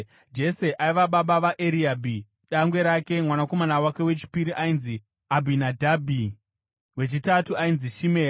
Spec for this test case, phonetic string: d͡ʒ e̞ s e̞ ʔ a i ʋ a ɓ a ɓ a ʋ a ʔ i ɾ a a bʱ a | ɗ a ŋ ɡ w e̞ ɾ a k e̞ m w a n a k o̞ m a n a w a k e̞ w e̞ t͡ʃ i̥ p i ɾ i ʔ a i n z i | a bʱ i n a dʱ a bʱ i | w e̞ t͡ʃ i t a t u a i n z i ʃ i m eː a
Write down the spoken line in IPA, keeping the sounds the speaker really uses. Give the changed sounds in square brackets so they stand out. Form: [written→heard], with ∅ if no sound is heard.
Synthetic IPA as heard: d͡ʒ e̞ s e̞ ʔ a i ʋ a ɓ a ɓ a ʋ a ʔ [i→e] ɾ [a→i] a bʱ [a→i] | ɗ a ŋ ɡ w e̞ ɾ a k e̞ m w a n a k o̞ m a n a w a k e̞ w e̞ t͡ʃ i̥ p i ɾ i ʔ a i n z i | a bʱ i n a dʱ a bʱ i | w e̞ t͡ʃ i t a t u a i n z i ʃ i m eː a